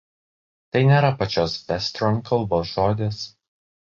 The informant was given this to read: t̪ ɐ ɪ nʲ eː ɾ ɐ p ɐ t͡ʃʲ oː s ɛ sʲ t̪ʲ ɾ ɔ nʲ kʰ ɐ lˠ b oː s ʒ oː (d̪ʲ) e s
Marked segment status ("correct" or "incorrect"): correct